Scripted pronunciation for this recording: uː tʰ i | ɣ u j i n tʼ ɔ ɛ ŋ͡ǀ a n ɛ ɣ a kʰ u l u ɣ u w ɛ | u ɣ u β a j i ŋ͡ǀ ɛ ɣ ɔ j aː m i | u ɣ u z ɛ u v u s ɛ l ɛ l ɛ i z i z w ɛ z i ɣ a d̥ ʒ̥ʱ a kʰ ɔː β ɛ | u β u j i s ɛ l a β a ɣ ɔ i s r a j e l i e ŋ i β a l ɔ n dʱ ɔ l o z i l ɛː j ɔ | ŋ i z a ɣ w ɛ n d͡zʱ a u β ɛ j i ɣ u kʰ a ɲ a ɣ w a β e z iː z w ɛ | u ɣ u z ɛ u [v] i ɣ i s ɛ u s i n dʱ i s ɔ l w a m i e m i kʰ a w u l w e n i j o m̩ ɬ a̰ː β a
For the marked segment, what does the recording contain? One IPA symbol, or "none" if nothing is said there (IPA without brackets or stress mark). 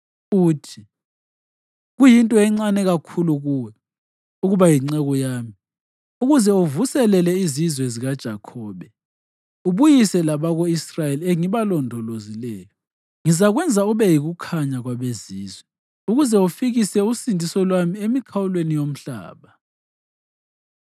f